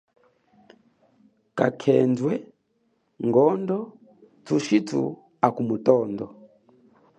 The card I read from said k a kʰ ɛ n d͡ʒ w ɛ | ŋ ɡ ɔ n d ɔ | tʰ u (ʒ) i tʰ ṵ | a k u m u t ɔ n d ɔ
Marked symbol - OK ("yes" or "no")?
no